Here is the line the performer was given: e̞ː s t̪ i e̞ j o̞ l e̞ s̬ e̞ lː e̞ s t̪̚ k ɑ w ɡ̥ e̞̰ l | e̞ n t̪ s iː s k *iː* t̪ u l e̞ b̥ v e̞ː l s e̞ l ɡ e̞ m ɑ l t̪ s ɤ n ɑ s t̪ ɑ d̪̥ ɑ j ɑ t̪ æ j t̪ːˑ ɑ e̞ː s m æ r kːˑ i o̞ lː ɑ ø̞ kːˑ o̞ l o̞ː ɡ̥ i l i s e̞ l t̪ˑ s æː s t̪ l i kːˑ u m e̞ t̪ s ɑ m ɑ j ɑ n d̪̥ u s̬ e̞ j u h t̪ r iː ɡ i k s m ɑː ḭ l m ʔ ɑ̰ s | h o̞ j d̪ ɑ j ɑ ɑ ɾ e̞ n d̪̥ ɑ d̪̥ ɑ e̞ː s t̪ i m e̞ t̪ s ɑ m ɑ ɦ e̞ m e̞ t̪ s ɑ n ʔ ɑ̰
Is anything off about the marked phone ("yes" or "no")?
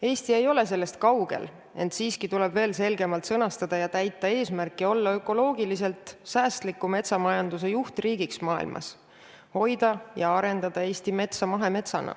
yes